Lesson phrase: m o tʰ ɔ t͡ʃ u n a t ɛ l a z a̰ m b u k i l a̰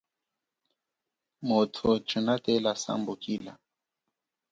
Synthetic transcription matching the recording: m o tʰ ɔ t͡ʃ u n a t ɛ l a s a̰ m b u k i l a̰

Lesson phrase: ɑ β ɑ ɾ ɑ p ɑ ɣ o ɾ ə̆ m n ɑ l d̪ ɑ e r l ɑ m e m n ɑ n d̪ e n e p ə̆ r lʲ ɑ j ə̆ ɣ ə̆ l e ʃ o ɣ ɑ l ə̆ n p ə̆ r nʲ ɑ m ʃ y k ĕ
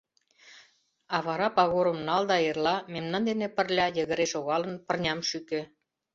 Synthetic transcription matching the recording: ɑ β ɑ ɾ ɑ p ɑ ɣ o ɾ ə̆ m n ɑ l d̪ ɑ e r l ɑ m e m n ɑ n d̪ e n e p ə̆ r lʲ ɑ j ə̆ ɣ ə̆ ɾ e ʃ o ɣ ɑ l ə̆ n p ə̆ r nʲ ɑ m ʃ y k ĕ

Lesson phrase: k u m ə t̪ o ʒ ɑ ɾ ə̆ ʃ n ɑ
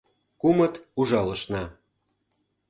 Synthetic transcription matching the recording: k u m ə t̪ u ʒ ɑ l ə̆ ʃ n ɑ

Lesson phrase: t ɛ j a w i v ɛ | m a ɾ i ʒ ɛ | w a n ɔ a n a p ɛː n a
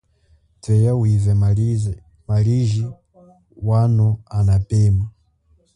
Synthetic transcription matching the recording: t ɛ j a w i v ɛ | m a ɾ i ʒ i | w a n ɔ a n a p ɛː m a

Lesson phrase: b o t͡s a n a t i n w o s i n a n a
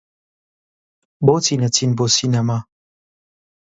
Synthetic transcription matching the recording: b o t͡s i n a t i n b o s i n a m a

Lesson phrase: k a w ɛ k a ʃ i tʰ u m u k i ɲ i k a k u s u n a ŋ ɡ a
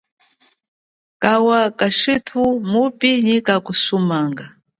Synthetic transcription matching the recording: k a w a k a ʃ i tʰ u m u p i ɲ i k a k u s u m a ŋ ɡ a

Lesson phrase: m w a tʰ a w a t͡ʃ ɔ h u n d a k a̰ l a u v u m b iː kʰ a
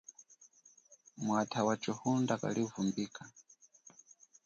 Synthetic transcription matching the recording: m w a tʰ a w a t͡ʃ ɔ h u n d a k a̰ l i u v u m b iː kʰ a

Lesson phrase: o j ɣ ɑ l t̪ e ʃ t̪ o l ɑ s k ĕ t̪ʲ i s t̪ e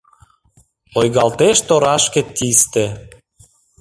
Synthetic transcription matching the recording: o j ɣ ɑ l t̪ e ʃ t̪ o ɾ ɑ ʃ k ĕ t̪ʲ i s t̪ e

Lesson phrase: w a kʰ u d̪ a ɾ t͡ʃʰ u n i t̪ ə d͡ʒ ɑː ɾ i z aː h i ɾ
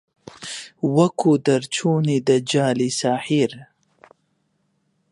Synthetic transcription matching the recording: w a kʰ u d̪ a ɾ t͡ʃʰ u n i d̪ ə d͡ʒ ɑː l i s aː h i ɾ

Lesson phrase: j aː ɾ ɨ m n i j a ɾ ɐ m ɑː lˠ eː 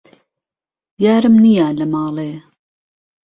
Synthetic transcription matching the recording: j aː ɾ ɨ m n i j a l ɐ m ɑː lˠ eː

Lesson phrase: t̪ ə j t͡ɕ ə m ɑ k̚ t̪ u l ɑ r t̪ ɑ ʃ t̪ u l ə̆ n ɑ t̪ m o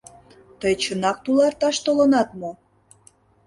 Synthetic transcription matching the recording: t̪ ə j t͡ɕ ə n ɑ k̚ t̪ u l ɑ r t̪ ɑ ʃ t̪ o l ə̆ n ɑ t̪ m o

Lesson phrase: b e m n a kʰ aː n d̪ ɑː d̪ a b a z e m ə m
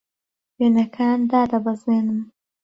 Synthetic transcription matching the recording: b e n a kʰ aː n d̪ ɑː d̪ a b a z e n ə m

